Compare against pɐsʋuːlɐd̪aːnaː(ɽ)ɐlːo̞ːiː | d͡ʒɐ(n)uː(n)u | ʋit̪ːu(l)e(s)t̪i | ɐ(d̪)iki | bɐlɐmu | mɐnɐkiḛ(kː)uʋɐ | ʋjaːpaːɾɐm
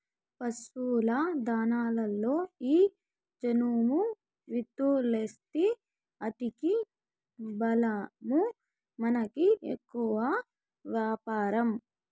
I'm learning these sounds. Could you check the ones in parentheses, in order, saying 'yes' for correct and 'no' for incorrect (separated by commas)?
no, yes, no, yes, yes, no, yes